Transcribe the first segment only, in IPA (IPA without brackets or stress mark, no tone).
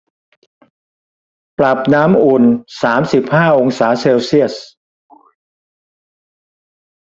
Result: p